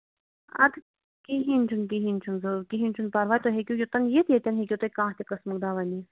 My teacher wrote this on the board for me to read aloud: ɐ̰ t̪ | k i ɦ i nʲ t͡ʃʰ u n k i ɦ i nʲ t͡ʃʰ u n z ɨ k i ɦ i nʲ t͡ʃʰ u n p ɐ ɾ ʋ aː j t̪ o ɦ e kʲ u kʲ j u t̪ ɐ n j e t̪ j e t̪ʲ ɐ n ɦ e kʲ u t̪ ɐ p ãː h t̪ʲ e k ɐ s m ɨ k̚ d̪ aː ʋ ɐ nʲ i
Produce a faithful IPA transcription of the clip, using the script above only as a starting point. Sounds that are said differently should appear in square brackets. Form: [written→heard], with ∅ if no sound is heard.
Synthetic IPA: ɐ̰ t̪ | k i ɦ i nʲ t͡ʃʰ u n k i ɦ i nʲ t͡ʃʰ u n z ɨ k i ɦ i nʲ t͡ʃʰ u n p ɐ ɾ ʋ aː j t̪ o ɦ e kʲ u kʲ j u t̪ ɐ n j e t̪ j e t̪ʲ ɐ n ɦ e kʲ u t̪ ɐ [p→k] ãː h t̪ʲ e k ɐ s m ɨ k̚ d̪ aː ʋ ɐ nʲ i